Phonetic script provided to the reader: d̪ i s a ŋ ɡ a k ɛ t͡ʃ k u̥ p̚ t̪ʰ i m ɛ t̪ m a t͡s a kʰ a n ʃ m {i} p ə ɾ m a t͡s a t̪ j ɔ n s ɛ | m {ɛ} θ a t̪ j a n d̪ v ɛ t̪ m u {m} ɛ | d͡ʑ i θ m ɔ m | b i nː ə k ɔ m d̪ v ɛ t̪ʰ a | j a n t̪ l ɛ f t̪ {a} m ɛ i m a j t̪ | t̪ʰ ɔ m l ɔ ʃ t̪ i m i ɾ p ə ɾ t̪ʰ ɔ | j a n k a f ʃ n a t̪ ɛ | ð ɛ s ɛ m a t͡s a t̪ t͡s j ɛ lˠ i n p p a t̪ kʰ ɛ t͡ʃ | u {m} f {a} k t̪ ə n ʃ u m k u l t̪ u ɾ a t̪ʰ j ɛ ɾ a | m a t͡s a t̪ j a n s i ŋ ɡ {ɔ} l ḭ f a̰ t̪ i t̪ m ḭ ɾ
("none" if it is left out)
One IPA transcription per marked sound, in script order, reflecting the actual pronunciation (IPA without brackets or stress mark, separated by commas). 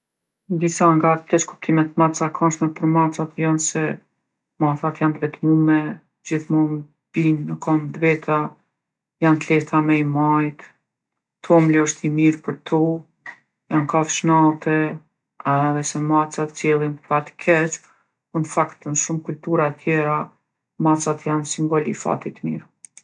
ɛ, a, m, a, n, a, ɔ